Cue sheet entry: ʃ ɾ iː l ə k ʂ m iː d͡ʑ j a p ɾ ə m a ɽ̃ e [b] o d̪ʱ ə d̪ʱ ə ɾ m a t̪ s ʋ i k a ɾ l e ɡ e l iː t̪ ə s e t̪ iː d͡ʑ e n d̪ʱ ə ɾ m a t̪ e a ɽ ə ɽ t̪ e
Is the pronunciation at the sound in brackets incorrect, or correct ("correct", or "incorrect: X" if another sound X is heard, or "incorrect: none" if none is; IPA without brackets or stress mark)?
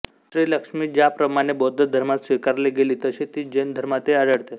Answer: correct